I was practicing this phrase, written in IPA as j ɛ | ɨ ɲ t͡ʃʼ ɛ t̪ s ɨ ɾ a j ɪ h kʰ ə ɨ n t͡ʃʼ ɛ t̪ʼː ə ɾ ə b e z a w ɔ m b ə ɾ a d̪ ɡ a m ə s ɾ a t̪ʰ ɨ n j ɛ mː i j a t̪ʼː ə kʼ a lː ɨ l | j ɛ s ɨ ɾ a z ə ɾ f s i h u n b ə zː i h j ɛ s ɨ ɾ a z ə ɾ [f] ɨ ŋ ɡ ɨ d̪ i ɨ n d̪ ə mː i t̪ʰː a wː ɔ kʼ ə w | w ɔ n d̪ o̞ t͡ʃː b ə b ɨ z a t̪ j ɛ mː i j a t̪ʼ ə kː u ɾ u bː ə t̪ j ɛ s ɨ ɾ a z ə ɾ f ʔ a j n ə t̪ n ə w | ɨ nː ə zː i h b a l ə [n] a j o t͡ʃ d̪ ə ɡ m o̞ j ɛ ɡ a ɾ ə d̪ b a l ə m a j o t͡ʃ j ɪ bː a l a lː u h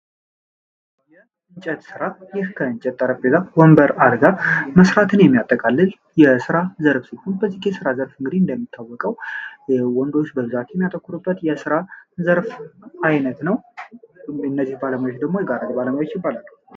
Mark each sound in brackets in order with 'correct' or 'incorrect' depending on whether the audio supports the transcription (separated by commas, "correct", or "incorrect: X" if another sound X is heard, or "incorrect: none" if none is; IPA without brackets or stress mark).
correct, incorrect: m